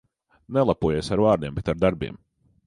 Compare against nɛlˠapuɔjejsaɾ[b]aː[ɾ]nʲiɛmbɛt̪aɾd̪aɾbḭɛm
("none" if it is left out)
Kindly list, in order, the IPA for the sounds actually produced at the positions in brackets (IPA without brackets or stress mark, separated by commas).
v, ɾ